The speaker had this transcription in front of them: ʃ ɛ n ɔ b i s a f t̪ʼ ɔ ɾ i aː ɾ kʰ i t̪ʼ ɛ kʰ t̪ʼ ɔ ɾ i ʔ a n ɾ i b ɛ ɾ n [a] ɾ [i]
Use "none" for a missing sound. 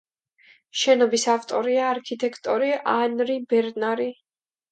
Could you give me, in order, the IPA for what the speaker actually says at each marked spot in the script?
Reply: a, i

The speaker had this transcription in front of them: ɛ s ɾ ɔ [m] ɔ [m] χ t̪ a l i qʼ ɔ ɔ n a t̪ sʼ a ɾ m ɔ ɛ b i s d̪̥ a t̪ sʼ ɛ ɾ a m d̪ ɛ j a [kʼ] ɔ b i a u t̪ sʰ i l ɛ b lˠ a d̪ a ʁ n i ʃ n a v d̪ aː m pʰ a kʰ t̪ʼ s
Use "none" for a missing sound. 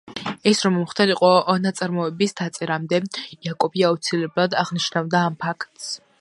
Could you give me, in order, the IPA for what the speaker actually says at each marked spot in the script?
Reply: m, m, kʼ

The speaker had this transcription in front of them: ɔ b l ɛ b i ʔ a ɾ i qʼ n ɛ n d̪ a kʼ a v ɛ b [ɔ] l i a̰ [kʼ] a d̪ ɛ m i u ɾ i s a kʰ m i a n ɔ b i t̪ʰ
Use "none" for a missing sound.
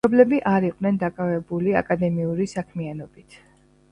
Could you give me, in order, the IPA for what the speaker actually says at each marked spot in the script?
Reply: u, kʼ

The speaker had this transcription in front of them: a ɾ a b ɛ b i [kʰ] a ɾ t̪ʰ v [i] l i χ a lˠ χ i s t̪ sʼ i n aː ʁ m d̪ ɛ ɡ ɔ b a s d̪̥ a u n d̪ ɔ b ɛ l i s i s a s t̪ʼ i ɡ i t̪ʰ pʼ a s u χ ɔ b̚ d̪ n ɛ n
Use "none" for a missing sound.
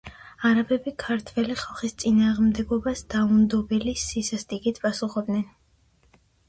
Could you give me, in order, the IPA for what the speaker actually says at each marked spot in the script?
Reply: kʰ, ɛ

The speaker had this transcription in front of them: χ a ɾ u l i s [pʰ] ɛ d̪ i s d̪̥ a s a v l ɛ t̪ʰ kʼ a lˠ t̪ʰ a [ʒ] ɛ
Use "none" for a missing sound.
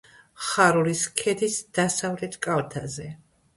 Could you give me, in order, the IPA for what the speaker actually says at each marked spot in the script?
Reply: kʰ, z

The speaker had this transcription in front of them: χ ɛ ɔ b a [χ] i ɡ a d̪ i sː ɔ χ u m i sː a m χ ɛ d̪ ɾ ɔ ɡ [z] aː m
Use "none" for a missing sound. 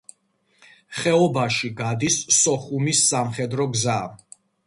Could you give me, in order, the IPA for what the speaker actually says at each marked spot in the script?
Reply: ʃ, z

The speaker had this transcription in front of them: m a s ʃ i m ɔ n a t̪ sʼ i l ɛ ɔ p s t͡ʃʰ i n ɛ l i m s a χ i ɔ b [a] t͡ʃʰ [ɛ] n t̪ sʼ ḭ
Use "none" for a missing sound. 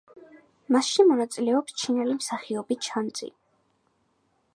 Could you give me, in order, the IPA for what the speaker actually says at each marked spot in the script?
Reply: i, a

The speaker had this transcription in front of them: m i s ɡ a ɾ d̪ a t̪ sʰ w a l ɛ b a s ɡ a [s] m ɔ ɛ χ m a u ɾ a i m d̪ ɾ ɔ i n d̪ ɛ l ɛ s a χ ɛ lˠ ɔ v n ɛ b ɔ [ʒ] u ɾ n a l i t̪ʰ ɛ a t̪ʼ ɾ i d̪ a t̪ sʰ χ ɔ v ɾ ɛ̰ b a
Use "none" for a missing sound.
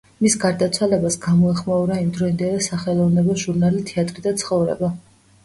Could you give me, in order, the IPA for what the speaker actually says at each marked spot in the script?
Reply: none, ʒ

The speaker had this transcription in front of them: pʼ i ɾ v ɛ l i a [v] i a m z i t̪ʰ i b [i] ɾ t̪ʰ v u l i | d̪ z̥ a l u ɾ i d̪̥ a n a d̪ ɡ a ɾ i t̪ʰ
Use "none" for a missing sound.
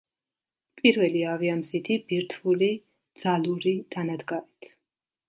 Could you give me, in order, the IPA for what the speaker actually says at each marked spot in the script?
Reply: v, i

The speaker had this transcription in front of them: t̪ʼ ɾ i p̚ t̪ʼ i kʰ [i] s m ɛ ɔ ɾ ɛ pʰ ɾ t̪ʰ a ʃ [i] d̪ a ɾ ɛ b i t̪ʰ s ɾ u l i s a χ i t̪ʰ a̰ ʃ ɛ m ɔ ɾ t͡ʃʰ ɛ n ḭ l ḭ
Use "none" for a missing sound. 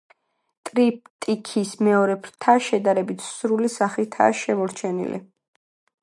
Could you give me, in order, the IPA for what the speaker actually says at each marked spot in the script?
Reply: i, ɛ

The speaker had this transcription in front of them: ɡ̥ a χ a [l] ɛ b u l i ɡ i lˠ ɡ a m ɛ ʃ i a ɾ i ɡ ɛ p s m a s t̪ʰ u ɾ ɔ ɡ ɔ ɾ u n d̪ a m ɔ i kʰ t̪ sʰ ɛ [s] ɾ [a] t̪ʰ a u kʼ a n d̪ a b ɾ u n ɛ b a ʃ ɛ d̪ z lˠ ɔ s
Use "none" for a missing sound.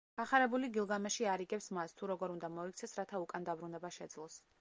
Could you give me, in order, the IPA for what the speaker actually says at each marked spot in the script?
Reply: ɾ, s, a

